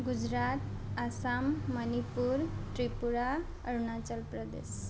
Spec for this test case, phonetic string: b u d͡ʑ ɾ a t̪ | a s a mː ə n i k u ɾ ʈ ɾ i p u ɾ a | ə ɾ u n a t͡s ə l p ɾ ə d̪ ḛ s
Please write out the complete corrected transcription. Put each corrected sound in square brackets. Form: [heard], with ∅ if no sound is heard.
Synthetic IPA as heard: [ɡ] u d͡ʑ ɾ a t̪ | a s a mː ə n i [p] u ɾ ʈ ɾ i p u ɾ a | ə ɾ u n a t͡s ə l p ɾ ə d̪ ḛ s